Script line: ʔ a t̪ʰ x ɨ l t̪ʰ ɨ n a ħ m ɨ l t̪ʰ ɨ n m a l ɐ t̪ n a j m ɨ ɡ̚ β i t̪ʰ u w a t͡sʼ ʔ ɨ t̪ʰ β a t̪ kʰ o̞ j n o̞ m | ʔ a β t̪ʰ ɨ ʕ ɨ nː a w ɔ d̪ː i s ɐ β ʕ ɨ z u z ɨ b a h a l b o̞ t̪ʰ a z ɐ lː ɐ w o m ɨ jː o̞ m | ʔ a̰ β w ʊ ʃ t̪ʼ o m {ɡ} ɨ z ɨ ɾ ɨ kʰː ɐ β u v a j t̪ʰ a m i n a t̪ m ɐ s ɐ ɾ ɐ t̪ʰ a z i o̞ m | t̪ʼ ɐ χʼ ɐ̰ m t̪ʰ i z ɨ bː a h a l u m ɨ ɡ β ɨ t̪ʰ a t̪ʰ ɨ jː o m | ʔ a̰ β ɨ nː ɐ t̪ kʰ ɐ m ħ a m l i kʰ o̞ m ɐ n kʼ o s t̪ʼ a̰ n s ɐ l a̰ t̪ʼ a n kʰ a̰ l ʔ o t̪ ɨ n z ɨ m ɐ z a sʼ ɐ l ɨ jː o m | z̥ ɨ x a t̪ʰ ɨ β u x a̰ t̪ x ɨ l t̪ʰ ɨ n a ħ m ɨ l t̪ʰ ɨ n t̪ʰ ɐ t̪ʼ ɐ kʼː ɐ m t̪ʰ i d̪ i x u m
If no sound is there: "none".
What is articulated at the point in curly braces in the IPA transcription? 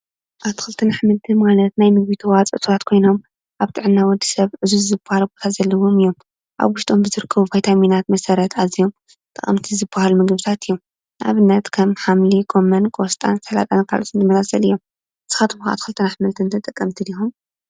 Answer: b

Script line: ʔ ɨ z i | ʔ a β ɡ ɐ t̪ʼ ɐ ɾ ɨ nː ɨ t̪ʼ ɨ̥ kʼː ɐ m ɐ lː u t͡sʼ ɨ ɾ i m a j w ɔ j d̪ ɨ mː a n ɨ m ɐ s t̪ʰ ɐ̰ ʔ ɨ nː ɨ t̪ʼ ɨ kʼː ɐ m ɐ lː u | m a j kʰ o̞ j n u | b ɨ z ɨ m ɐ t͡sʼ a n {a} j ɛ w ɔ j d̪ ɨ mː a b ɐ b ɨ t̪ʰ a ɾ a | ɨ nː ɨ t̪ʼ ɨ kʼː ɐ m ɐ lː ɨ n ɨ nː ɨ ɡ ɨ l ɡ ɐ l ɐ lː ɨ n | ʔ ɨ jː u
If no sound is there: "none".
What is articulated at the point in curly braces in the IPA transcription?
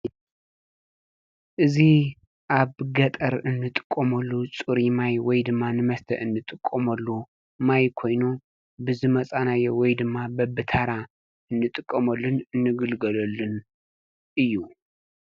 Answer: a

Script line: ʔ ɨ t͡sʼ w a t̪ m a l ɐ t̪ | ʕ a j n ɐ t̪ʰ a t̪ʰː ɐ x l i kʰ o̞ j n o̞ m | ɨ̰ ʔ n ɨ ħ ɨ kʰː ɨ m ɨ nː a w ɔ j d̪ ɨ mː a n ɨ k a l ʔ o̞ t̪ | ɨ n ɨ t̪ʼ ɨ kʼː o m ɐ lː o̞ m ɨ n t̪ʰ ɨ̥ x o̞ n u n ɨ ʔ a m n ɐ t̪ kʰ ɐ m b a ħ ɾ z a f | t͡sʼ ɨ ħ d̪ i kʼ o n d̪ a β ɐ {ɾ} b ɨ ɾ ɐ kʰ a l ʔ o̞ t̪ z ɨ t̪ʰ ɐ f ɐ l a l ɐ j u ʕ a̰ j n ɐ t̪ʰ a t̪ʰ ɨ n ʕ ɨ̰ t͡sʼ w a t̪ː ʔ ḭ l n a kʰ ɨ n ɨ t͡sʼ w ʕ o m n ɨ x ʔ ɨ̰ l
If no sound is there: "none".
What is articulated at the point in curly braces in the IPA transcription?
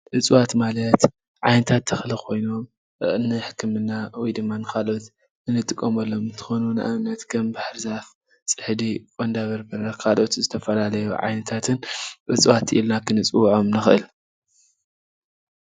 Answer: ɾ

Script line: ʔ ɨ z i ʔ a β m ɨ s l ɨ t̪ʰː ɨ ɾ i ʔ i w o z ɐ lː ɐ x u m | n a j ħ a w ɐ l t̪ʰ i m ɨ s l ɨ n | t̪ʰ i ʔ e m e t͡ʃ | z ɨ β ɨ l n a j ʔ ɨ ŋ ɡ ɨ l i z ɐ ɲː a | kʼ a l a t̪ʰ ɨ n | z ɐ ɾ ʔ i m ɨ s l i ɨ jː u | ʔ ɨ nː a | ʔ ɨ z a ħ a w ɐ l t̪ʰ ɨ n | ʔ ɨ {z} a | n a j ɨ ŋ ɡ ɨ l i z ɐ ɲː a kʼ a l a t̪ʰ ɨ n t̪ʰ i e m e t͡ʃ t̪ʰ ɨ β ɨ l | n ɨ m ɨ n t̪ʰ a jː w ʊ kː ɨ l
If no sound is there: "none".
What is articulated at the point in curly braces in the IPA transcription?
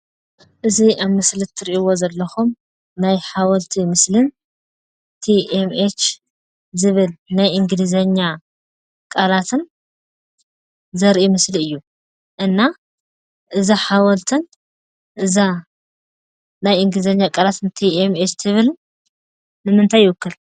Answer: z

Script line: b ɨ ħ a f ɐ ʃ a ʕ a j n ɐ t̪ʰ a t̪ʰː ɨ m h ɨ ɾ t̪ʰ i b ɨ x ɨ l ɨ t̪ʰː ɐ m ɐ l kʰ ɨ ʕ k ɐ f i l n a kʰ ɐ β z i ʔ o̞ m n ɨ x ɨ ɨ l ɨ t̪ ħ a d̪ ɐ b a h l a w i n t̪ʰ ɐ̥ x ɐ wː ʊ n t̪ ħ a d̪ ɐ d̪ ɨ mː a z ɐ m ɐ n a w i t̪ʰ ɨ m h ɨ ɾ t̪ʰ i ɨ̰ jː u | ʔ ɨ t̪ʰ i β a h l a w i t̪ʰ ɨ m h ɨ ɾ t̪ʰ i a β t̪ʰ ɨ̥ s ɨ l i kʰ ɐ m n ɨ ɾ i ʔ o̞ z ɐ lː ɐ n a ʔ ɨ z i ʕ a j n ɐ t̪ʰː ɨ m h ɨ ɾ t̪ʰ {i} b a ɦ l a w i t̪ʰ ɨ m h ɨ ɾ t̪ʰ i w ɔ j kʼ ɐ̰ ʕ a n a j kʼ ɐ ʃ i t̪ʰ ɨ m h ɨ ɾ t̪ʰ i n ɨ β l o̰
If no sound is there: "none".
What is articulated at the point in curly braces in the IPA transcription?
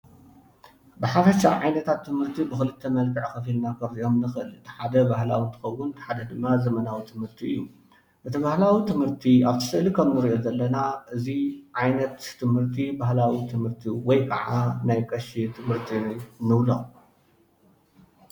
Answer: i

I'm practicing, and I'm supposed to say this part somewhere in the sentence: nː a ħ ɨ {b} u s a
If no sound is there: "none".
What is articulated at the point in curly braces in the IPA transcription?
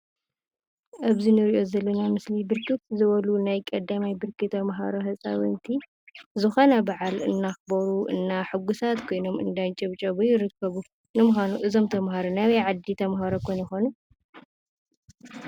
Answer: ɡ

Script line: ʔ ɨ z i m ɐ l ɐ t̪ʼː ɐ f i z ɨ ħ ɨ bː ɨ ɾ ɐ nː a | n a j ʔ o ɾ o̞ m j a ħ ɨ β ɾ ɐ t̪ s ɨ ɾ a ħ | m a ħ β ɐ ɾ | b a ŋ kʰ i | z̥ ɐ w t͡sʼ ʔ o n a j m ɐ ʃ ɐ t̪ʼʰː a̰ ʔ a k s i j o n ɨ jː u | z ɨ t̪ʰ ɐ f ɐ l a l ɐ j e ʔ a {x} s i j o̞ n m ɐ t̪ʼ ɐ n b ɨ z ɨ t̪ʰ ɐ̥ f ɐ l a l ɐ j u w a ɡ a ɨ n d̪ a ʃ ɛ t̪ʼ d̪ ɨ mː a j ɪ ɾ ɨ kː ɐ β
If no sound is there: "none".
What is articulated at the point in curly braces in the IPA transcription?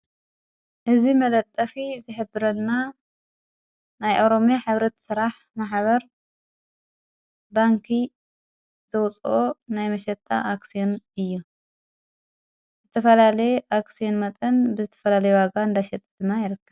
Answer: k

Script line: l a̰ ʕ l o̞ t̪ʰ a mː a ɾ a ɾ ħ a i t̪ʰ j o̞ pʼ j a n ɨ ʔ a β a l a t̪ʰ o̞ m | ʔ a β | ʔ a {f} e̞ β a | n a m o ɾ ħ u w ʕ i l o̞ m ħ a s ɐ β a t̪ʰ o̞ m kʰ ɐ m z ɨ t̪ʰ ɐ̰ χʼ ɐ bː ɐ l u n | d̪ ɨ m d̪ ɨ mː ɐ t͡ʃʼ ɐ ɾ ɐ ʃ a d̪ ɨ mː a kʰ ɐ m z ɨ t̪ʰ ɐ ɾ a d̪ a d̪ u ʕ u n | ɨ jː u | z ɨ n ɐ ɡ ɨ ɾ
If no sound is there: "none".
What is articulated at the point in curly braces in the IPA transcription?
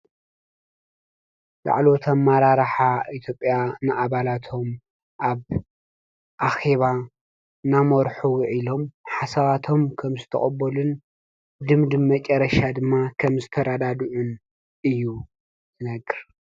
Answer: x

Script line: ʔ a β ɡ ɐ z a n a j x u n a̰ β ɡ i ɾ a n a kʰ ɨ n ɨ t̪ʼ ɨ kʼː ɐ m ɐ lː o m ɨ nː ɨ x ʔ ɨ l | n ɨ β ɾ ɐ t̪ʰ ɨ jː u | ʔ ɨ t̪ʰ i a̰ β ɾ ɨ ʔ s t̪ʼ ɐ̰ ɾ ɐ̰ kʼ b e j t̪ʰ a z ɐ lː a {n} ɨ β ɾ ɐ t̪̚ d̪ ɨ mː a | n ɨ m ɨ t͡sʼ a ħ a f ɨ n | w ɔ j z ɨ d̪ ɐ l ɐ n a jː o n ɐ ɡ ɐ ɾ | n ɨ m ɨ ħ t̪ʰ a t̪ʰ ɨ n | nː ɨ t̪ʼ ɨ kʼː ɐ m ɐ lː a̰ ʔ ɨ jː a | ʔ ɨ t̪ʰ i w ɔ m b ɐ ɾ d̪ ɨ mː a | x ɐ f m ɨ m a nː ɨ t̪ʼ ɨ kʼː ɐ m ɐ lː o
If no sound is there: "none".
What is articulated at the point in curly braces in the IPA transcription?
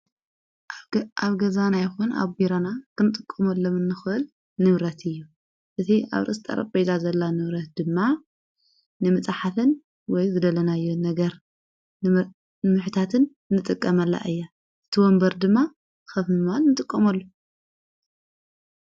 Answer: n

